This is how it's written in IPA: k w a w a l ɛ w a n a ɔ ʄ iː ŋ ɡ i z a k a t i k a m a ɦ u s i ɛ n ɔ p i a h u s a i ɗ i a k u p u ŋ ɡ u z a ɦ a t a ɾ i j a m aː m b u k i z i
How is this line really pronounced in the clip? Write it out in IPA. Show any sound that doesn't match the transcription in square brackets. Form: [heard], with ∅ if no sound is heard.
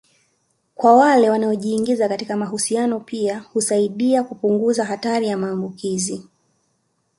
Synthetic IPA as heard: k w a w a l ɛ w a n a ɔ ʄ iː ŋ ɡ i z a k a t i k a m a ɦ u s i [a] n ɔ p i a h u s a i ɗ i a k u p u ŋ ɡ u z a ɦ a t a ɾ i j a m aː m b u k i z i